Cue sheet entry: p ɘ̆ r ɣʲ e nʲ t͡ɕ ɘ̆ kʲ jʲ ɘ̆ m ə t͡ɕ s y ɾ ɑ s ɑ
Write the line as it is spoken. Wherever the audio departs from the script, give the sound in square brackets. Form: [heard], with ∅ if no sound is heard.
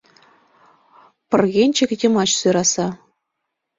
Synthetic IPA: p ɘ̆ r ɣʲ e nʲ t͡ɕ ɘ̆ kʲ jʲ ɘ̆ m [ɑ] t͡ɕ s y ɾ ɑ s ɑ